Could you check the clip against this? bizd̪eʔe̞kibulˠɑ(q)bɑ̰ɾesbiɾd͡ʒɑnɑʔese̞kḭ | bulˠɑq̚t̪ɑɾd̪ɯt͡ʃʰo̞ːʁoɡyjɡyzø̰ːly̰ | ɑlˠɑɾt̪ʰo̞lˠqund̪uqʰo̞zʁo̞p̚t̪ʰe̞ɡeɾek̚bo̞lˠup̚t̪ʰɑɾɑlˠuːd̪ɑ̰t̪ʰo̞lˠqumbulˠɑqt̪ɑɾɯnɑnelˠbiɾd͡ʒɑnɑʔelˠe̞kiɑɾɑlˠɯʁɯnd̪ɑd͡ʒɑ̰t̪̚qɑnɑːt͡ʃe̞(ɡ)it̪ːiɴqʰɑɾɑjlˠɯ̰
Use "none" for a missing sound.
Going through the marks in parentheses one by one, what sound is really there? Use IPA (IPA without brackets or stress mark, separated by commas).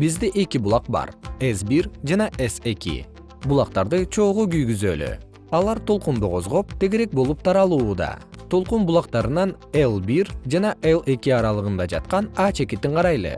q, k